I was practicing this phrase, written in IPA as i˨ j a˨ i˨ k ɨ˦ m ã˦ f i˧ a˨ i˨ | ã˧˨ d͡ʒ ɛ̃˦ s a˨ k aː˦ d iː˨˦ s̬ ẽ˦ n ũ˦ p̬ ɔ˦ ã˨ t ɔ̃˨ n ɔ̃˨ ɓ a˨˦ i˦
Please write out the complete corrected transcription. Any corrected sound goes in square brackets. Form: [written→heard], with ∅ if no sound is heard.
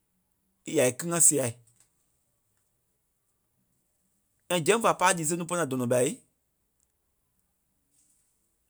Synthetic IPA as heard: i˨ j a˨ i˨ k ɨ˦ [m→ŋ] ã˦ [f→s] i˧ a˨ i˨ | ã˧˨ d͡ʒ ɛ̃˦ [s→f] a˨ [k→p] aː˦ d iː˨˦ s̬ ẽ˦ n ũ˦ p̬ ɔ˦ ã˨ [t→d] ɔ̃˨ n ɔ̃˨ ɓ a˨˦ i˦